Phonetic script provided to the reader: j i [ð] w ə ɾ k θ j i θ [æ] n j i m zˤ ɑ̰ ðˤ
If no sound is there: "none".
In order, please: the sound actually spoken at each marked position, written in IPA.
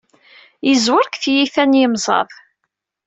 z, æ

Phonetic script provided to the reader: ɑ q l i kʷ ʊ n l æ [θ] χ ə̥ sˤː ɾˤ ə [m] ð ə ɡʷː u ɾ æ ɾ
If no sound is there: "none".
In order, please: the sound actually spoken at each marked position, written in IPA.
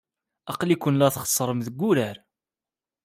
θ, m

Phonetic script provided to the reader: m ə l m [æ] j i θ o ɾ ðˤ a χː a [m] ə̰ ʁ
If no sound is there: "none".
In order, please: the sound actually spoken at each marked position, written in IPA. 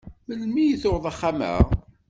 i, m

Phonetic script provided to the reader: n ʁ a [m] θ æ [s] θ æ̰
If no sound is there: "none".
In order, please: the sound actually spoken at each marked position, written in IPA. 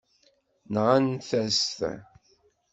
n, s

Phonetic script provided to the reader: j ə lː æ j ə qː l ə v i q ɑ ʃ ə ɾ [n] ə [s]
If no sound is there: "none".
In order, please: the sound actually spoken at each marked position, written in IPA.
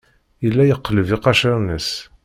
n, s

